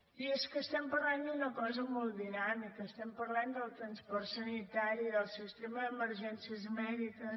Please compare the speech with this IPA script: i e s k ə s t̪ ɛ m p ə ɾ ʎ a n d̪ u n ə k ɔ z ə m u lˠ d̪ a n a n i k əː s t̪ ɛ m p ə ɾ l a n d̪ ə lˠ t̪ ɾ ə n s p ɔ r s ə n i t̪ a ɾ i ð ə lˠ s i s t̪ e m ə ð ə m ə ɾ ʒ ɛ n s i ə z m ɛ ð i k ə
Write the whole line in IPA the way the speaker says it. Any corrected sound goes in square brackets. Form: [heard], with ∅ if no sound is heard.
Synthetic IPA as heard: i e s k ə s t̪ ɛ m p ə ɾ [l] a n d̪ u n ə k ɔ z ə m [ɔ] lˠ d̪ [i] n a [m] i k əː s t̪ ɛ m p ə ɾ l a n d̪ ə lˠ t̪ ɾ ə n s p ɔ r s ə n i t̪ a ɾ i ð ə lˠ s i s t̪ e m ə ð ə m ə ɾ ʒ ɛ n s i ə z m ɛ ð i k ə